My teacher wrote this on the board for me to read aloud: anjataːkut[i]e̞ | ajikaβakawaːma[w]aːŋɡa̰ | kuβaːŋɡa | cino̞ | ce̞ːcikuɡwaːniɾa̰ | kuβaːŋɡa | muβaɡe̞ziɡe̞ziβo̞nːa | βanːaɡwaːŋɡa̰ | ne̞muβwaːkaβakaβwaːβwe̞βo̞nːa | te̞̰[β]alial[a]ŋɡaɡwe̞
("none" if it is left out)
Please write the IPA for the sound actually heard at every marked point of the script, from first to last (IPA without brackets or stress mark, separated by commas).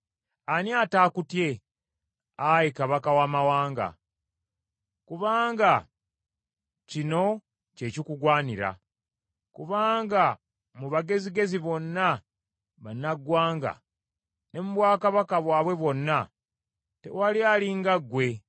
j, w, w, i